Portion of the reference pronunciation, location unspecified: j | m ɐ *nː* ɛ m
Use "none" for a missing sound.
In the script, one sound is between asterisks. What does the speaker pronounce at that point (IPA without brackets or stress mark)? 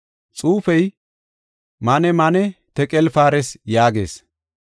n